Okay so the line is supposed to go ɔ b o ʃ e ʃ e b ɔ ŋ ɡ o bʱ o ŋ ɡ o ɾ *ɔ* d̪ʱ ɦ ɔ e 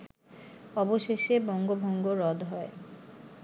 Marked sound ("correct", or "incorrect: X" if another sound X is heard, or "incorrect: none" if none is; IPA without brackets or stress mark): correct